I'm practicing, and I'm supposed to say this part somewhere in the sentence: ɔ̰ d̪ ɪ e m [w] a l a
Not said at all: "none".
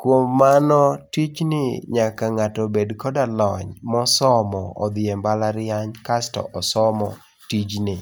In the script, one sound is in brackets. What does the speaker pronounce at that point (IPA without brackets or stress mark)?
b